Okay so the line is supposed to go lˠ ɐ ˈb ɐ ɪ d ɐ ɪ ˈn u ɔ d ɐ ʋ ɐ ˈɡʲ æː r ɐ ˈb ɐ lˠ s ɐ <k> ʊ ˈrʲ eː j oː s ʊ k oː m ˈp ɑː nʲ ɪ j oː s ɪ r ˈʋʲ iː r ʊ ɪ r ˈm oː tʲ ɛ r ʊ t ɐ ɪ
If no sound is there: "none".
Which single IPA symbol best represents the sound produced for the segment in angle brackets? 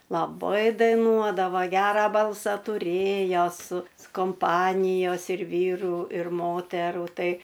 t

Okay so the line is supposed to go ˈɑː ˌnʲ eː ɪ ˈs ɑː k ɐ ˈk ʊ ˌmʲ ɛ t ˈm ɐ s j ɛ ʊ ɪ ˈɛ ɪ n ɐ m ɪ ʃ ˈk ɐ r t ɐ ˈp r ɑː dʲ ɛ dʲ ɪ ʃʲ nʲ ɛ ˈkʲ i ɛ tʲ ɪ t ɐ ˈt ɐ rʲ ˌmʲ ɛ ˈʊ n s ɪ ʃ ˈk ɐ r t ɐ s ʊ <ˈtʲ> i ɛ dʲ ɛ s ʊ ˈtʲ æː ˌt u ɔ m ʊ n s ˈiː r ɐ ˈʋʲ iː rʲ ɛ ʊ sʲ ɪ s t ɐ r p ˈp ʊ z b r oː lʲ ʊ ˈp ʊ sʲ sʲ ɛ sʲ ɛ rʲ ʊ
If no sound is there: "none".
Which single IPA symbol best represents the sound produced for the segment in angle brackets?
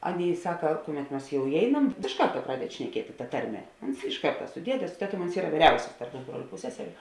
dʲ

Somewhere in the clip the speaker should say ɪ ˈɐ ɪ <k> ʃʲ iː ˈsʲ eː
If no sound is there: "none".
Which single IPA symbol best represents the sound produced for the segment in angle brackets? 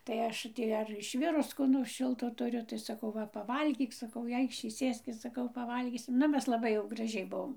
k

